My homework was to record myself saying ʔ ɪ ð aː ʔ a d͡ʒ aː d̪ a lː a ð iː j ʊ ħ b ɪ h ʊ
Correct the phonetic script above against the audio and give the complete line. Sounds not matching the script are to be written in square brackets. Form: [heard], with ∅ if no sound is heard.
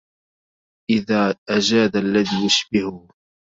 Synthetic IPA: ʔ ɪ ð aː ʔ a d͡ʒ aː d̪ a lː a ð iː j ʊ [ʃ] b ɪ h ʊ

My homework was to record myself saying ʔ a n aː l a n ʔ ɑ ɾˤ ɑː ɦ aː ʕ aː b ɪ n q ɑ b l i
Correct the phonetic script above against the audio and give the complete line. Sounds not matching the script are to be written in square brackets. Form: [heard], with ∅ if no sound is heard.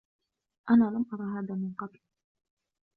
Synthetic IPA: ʔ a n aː l a [m] ʔ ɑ ɾˤ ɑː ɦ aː [ð] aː [m] ɪ n q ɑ b l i

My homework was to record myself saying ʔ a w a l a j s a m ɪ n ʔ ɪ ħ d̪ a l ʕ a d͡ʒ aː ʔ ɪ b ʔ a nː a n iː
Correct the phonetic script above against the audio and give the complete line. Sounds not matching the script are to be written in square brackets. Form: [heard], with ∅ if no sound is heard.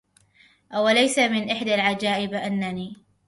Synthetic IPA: ʔ a w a l a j s a m ɪ n ʔ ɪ ħ d̪ a l ʕ a d͡ʒ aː ʔ ɪ b ʔ a nː a n iː

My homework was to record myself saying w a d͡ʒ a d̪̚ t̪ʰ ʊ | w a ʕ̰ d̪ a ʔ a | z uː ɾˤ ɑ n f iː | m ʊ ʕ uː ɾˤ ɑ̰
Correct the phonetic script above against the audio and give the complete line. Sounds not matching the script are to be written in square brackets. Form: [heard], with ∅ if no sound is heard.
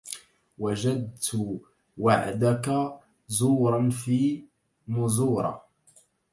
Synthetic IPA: w a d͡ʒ a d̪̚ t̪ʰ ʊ | w a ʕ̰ d̪ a [k] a | z uː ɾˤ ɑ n f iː | m ʊ [z] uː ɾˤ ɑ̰

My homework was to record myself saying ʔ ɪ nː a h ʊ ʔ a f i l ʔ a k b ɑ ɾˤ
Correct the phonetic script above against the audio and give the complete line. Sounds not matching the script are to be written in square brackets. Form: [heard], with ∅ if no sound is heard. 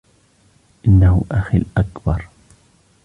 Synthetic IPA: ʔ ɪ nː a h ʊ ʔ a [x] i l ʔ a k b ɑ ɾˤ

